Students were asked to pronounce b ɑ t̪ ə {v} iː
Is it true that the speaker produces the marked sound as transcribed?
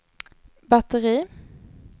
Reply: no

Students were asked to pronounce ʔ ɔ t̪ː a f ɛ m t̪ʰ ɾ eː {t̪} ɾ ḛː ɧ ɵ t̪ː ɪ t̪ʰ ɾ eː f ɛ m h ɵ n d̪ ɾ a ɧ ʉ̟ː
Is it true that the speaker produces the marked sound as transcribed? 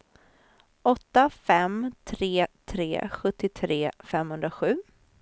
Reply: no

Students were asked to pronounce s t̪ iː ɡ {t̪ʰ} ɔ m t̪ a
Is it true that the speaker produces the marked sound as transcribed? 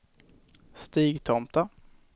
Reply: yes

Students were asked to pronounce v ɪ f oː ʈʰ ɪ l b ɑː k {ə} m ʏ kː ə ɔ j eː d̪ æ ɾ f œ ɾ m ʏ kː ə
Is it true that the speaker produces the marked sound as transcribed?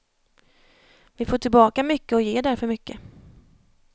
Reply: no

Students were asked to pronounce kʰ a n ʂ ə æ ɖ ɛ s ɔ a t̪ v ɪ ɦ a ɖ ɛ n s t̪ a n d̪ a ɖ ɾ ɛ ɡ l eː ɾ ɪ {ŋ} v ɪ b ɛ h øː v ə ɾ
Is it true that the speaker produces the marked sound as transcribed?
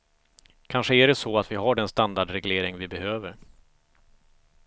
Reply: yes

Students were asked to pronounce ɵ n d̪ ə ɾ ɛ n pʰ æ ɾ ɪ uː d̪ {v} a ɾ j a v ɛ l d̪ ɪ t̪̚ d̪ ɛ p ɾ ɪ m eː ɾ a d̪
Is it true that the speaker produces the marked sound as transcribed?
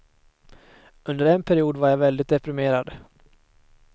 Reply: yes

